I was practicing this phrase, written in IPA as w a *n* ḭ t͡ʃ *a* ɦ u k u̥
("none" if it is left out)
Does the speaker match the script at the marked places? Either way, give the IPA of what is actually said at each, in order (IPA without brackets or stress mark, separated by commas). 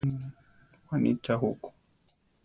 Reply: n, a